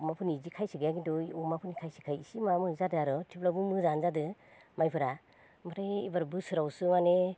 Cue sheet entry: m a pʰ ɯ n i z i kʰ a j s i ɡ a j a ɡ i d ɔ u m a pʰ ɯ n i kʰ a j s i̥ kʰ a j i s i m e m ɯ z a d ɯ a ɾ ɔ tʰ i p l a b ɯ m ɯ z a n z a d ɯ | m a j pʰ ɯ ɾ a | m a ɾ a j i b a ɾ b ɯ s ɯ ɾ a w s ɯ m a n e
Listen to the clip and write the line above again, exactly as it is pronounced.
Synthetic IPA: m a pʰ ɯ n i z i kʰ a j s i ɡ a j a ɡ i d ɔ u m a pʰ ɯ n i kʰ a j s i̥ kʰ a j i s i m a m ɯ z a d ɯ a ɾ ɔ tʰ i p l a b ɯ m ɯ z a n z a d ɯ | m a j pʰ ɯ ɾ a | m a ɾ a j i b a ɾ b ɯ s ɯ ɾ a w s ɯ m a n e